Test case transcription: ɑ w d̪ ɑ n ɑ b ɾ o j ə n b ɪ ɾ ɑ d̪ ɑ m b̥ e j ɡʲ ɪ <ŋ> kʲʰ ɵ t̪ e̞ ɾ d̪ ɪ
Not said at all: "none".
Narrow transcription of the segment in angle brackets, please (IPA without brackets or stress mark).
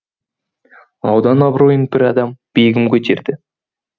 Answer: m